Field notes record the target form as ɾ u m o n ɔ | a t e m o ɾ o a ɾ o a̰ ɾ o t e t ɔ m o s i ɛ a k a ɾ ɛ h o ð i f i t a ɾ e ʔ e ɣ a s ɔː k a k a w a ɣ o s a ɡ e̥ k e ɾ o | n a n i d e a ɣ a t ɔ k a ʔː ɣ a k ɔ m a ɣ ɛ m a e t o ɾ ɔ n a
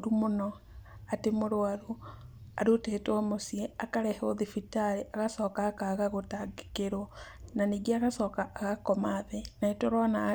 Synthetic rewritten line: ɾ u m o n ɔ | a t e m o ɾ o a ɾ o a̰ ɾ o t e t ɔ m o s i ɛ a k a ɾ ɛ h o ð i f i t a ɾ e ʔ a ɣ a s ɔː k a k a ɣ a ɣ o t a ɡ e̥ k e ɾ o | n a n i ɡ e a ɣ a s ɔ k a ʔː ɣ a k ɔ m a ð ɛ n a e t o ɾ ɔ n a